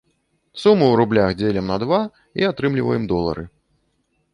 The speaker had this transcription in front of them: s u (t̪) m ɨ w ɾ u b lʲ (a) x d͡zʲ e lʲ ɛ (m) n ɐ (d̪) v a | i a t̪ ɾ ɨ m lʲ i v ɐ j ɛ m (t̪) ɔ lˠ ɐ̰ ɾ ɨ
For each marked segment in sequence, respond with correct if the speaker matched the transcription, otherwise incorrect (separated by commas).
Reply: incorrect, correct, correct, correct, incorrect